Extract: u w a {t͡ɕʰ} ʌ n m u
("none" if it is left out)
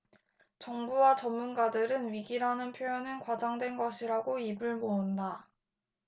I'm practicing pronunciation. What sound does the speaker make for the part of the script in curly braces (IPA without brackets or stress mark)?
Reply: t͡ɕ